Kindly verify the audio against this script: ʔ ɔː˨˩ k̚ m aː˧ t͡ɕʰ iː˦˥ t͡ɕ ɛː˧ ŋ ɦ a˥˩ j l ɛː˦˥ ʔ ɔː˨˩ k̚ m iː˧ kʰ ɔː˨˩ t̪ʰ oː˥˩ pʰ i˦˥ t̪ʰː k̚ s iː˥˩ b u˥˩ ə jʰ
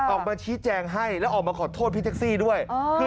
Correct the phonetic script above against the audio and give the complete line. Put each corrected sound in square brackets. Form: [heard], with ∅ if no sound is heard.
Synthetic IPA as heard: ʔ ɔː˨˩ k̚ m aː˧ t͡ɕʰ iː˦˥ t͡ɕ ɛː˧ ŋ ɦ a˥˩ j l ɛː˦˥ ʔ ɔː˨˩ k̚ m [aː˧] kʰ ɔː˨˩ t̪ʰ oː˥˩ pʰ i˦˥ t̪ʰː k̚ s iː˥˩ [d] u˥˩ ə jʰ